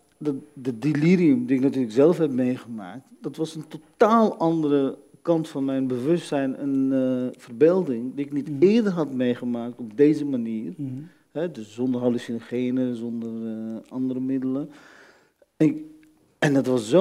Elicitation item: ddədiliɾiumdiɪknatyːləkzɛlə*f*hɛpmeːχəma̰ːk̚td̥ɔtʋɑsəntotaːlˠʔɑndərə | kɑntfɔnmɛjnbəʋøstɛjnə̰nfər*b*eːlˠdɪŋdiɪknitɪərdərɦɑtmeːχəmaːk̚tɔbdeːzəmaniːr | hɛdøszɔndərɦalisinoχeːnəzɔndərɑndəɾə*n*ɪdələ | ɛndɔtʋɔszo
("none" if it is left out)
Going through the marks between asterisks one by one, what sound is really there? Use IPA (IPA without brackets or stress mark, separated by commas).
f, b, m